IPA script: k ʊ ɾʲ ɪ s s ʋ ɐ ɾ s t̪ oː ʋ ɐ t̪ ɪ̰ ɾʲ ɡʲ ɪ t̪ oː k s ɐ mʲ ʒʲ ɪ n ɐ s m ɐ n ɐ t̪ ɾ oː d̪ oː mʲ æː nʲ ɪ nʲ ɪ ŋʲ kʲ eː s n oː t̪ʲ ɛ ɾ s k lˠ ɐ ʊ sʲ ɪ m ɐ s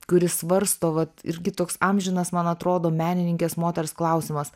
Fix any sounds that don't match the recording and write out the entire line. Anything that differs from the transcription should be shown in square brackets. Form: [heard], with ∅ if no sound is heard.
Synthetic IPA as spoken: k ʊ ɾʲ ɪ s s ʋ ɐ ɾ s t̪ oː ʋ ɐ t̪ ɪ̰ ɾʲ ɡʲ ɪ t̪ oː k s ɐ mʲ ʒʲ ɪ n ɐ s m ɐ n ɐ t̪ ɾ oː d̪ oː mʲ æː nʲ ɪ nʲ ɪ ŋʲ kʲ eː s [m] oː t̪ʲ ɛ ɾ s k lˠ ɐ ʊ sʲ ɪ m ɐ s